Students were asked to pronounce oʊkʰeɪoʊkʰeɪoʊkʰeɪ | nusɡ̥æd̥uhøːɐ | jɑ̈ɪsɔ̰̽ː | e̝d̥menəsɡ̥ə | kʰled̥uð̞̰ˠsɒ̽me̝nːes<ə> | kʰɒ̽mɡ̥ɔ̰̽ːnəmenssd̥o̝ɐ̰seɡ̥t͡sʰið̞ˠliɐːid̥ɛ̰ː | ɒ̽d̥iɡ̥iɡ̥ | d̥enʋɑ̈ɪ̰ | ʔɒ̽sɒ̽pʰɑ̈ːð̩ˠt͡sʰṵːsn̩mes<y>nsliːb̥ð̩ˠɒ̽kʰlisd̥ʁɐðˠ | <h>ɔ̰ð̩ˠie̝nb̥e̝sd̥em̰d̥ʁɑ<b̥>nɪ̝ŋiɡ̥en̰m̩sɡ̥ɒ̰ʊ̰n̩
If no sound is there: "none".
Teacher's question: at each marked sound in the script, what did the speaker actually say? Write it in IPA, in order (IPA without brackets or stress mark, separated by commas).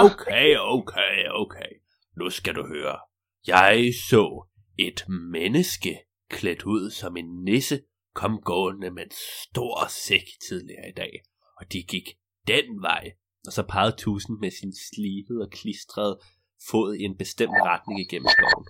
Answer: ə, i, f, d̥